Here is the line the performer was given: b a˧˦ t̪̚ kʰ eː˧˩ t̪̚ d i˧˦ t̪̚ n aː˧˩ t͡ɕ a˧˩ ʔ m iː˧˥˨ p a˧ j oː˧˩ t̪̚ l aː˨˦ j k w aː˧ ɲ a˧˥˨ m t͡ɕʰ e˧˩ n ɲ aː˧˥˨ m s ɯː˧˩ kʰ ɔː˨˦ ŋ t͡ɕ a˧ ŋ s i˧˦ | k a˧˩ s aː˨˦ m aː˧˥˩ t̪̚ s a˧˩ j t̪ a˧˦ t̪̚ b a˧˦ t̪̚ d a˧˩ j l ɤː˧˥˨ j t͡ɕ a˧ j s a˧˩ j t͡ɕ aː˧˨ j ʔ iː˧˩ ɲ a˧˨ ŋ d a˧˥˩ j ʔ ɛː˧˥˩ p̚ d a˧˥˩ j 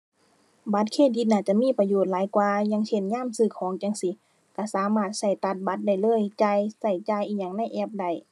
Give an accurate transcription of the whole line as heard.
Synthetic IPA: b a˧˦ t̪̚ kʰ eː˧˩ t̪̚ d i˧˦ t̪̚ n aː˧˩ t͡ɕ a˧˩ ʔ m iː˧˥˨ p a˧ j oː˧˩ t̪̚ l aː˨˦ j k w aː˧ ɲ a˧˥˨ ŋ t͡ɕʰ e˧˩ n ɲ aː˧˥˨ m s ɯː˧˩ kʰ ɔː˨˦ ŋ t͡ɕ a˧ ŋ s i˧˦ | k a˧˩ s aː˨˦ m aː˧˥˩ t̪̚ s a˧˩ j t̪ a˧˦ t̪̚ b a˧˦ t̪̚ d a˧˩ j l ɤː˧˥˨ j t͡ɕ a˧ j s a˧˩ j t͡ɕ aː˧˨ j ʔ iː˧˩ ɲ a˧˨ ŋ n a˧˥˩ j ʔ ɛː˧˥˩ p̚ d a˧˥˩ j